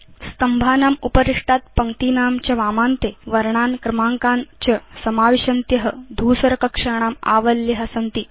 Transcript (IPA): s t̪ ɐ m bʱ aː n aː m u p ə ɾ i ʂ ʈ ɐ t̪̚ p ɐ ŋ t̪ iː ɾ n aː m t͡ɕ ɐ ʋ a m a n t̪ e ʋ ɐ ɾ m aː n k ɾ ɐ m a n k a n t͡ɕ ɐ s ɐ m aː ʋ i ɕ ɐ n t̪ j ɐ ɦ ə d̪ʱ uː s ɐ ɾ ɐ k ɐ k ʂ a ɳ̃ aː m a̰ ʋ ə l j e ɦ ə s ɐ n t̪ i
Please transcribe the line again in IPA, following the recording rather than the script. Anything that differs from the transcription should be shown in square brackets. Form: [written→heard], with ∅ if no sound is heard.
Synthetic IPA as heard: s t̪ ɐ m bʱ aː n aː m u p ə ɾ i ʂ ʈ [ɐ→a] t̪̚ p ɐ ŋ t̪ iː [ɾ→∅] n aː m t͡ɕ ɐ ʋ a m a n t̪ e ʋ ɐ ɾ [m→ɳ] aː n k ɾ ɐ m a [n→ŋ] k a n t͡ɕ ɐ s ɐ m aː ʋ i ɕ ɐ n t̪ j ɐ ɦ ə d̪ʱ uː s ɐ ɾ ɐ k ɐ k ʂ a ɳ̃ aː m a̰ ʋ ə l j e ɦ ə s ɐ n t̪ i